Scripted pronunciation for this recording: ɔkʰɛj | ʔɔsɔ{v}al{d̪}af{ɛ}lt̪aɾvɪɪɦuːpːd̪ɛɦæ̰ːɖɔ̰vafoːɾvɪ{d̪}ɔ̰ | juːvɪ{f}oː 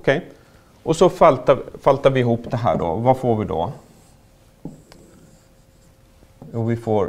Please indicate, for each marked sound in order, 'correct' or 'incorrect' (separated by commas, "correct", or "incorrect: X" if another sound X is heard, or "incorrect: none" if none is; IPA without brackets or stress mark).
incorrect: f, incorrect: t̪, incorrect: a, correct, correct